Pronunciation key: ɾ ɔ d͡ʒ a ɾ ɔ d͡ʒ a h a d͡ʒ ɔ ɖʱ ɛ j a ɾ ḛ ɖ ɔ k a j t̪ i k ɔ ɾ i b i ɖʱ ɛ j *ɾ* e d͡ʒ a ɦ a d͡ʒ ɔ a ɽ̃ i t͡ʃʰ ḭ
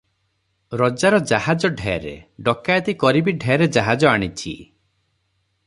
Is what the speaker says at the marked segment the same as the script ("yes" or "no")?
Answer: yes